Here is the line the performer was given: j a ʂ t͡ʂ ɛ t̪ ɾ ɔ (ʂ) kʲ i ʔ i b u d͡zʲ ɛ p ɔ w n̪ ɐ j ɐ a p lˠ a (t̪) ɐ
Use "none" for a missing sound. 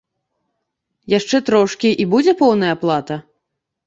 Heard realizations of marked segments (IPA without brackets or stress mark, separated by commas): ʂ, t̪